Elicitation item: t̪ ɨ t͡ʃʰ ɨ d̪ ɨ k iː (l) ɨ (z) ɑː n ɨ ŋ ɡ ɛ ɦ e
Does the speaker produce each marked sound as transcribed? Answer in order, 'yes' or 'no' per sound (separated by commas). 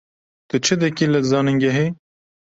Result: yes, yes